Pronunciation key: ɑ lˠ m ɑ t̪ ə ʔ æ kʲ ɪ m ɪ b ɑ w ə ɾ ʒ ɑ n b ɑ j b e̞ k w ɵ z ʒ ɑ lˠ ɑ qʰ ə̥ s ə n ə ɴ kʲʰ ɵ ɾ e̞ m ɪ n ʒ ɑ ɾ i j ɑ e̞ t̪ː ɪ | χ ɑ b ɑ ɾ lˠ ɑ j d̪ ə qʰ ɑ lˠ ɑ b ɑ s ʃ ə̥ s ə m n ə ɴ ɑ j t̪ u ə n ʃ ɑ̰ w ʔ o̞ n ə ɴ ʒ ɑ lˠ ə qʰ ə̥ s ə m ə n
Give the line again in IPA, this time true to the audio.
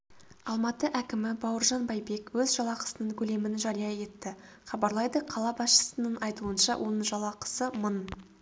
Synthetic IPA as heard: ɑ lˠ m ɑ t̪ ə ʔ æ kʲ ɪ m ɪ b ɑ w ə ɾ ʒ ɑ n b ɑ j b e̞ k w ɵ z ʒ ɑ lˠ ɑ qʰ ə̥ s ə n ə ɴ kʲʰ ɵ l e̞ m ɪ n ʒ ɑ ɾ i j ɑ e̞ t̪ː ɪ | χ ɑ b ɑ ɾ lˠ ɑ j d̪ ə qʰ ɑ lˠ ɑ b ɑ s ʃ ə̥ s ə n ə ɴ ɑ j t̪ u ə n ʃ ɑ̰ w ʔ o̞ n ə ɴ ʒ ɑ lˠ ɑ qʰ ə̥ s ə m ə n